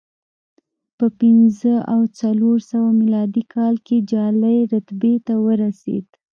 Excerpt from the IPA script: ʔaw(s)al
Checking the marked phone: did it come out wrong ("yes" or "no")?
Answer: yes